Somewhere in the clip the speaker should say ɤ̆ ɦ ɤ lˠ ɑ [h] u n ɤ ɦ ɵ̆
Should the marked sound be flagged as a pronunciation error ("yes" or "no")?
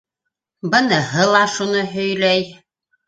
yes